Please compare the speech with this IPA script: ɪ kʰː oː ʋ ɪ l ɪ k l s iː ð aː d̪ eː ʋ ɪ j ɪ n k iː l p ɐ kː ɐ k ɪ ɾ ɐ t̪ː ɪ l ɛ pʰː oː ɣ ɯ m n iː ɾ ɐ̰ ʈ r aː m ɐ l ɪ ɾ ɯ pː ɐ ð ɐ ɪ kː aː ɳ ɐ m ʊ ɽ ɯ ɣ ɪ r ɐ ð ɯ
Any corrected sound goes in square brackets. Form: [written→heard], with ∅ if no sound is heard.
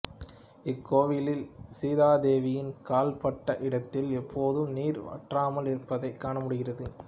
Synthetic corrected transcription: ɪ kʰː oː ʋ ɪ l ɪ [k→∅] l s iː ð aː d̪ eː ʋ ɪ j ɪ n k [iː→aː] l p ɐ [kː→ʈː] ɐ [k→ʔ] ɪ [ɾ→ɽ] ɐ t̪ː ɪ l ɛ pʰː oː [ɣ→ð] ɯ m n iː ɾ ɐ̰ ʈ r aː m ɐ l ɪ ɾ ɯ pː ɐ ð ɐ ɪ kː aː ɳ ɐ m ʊ ɽ ɯ ɣ ɪ r ɐ ð ɯ

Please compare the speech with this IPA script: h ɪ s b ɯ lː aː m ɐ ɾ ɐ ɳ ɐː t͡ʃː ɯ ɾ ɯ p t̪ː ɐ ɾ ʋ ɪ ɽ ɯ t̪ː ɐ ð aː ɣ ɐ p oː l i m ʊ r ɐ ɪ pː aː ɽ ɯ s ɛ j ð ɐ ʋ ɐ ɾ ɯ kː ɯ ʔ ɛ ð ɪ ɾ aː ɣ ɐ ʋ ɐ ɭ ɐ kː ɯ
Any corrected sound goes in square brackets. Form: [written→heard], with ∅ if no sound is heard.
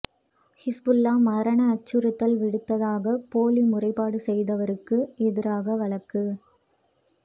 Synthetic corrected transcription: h ɪ s b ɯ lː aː m ɐ ɾ ɐ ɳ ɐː t͡ʃː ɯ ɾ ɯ [p→∅] t̪ː ɐ [ɾ→l] ʋ ɪ ɽ ɯ t̪ː ɐ ð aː ɣ ɐ p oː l i m ʊ r ɐ ɪ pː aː ɽ ɯ s ɛ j ð ɐ ʋ ɐ ɾ ɯ kː ɯ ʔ ɛ ð ɪ ɾ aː ɣ ɐ ʋ ɐ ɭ ɐ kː ɯ

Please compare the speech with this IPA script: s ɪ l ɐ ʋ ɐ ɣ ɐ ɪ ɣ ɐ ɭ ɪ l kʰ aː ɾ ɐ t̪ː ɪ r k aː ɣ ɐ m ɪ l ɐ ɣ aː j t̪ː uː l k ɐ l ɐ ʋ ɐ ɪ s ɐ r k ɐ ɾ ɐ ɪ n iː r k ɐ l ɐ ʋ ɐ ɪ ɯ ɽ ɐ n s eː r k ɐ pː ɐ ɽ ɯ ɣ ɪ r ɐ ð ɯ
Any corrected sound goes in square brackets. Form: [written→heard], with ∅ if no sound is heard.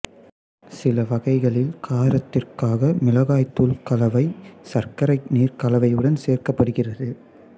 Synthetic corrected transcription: s ɪ l ɐ ʋ ɐ ɣ ɐ ɪ ɣ ɐ ɭ ɪ l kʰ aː ɾ ɐ t̪ː ɪ r k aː ɣ ɐ m ɪ l ɐ ɣ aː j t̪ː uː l k ɐ l ɐ ʋ ɐ ɪ s ɐ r k ɐ ɾ ɐ ɪ n iː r k ɐ l ɐ ʋ ɐ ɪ ɯ ɽ ɐ n s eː r k ɐ pː ɐ ɽ ɯ ɣ ɪ r ɐ ð ɯ

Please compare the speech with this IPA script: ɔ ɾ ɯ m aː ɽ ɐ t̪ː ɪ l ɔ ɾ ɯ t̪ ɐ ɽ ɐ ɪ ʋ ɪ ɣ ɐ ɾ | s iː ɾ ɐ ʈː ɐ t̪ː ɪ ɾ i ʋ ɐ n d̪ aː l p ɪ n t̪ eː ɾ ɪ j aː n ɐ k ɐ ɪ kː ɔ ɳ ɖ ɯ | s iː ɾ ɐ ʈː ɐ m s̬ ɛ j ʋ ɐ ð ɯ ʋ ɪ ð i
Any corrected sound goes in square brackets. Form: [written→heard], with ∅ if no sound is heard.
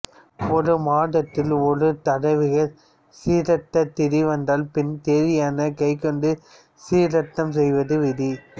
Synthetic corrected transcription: ɔ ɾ ɯ m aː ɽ ɐ t̪ː ɪ l ɔ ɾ ɯ t̪ ɐ ɽ ɐ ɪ ʋ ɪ ɣ ɐ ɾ | s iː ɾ ɐ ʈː ɐ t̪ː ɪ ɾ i ʋ ɐ n d̪ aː l p ɪ n t̪ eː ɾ ɪ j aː n ɐ k ɐ ɪ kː ɔ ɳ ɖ ɯ | s iː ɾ ɐ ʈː ɐ m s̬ ɛ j ʋ ɐ ð ɯ ʋ ɪ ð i

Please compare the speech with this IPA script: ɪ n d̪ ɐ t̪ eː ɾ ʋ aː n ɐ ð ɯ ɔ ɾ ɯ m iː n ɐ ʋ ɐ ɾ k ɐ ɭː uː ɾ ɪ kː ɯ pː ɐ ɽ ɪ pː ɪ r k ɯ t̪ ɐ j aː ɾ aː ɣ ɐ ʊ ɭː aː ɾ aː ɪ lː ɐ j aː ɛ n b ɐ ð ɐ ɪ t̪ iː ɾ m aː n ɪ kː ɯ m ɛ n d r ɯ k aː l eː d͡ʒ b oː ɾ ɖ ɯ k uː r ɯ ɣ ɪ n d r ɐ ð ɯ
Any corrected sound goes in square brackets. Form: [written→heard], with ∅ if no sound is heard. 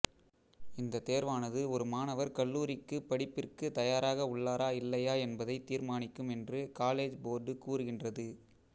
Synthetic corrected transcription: ɪ n d̪ ɐ t̪ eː ɾ ʋ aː n ɐ ð ɯ ɔ ɾ ɯ m [iː→aː] n ɐ ʋ ɐ ɾ k ɐ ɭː uː ɾ ɪ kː ɯ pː ɐ ɽ ɪ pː ɪ r k ɯ t̪ ɐ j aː ɾ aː ɣ ɐ ʊ ɭː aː ɾ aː ɪ lː ɐ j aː ɛ n b ɐ ð ɐ ɪ t̪ iː ɾ m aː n ɪ kː ɯ m ɛ n d r ɯ k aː l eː d͡ʒ b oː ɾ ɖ ɯ k uː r ɯ ɣ ɪ n d r ɐ ð ɯ

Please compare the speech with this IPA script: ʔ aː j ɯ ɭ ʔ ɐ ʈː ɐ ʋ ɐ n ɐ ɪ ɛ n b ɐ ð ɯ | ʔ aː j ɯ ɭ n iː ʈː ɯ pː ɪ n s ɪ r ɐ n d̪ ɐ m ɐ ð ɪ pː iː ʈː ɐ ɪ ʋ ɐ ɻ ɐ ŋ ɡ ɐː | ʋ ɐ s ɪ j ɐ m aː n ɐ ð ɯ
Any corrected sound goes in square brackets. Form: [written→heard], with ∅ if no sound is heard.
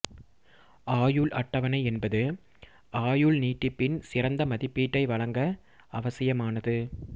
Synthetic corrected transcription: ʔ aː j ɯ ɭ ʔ ɐ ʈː ɐ ʋ ɐ n ɐ ɪ ɛ n b ɐ ð ɯ | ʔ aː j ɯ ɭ n iː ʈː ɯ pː ɪ n s ɪ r ɐ n d̪ ɐ m ɐ ð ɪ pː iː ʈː ɐ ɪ ʋ ɐ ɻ ɐ ŋ ɡ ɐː | ʋ ɐ s ɪ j ɐ m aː n ɐ ð ɯ

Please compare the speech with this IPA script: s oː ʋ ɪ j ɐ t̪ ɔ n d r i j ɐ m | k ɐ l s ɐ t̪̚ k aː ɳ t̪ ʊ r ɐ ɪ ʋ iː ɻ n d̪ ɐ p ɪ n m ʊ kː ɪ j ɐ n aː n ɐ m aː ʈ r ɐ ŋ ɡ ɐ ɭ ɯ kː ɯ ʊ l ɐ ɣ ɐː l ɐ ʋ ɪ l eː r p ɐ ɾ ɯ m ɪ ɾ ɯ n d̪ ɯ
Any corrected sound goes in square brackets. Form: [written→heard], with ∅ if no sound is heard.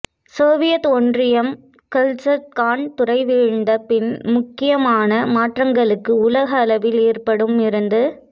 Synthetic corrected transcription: s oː ʋ ɪ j ɐ t̪ ɔ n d r [i→ɪ] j ɐ m | k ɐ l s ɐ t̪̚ k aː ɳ t̪ ʊ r ɐ ɪ ʋ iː ɻ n d̪ ɐ p ɪ n m ʊ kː ɪ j ɐ [n→m] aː n ɐ m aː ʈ r ɐ ŋ ɡ ɐ ɭ ɯ kː ɯ ʊ l ɐ ɣ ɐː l ɐ ʋ ɪ l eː r p ɐ [ɾ→ɽ] ɯ m ɪ ɾ ɯ n d̪ ɯ

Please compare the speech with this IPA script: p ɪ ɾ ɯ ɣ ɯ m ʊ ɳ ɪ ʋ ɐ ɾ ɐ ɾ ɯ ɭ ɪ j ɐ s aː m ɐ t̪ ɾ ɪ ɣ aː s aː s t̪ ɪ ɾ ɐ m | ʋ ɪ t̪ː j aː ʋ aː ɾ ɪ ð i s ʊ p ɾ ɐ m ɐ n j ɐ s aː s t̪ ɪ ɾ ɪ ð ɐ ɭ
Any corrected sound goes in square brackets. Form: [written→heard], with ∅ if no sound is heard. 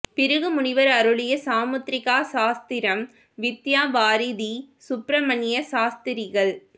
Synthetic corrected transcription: p ɪ ɾ ɯ ɣ ɯ m ʊ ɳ ɪ ʋ ɐ ɾ ɐ ɾ ɯ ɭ ɪ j ɐ s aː m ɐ t̪ ɾ ɪ ɣ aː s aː s t̪ ɪ ɾ ɐ m | ʋ ɪ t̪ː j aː ʋ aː ɾ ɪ ð i s ʊ p ɾ ɐ m ɐ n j ɐ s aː s t̪ ɪ ɾ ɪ [ð→ɣ] ɐ ɭ

